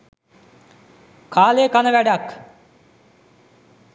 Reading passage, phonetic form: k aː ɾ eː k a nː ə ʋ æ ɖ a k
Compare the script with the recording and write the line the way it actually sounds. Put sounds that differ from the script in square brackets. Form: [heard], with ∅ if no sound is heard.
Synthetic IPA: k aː [l] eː k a [n] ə ʋ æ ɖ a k